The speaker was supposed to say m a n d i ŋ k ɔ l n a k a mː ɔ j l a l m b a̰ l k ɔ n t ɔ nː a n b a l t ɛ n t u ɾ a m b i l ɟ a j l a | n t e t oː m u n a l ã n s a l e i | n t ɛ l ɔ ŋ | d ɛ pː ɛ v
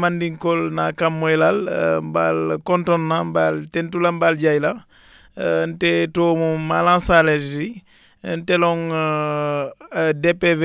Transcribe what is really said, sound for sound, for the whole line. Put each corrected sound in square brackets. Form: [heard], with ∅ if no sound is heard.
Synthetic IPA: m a n d i ŋ k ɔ l n a k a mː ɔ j l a l m b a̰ l k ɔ n t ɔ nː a [m] b a l t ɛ n t u [l] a m b [a] l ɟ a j l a | n t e t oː m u [m] a l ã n s a l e i | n t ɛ l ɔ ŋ | d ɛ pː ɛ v